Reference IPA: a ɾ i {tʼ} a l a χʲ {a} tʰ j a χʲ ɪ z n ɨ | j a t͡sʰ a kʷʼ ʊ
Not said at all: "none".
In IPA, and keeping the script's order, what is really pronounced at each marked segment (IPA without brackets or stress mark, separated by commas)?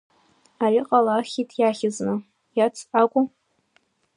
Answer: qʼ, i